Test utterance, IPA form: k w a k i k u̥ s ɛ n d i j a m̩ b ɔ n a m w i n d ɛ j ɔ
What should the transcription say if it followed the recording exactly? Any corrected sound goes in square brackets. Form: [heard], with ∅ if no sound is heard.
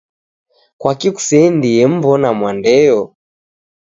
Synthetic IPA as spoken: k w a k i k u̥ s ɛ n d i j [ɛ] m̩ b ɔ n a m w [a] n d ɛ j ɔ